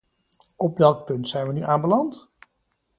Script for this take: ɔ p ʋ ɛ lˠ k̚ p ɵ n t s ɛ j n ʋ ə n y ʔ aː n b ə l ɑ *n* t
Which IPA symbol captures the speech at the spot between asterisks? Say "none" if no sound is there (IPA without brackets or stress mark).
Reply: n